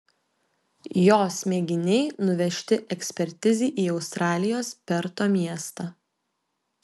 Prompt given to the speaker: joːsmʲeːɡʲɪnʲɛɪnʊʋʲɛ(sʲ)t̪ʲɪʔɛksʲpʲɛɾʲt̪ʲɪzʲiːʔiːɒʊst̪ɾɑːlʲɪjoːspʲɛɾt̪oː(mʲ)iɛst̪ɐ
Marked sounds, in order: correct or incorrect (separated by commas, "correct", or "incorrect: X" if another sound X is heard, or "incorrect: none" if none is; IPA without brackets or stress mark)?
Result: incorrect: ʃʲ, correct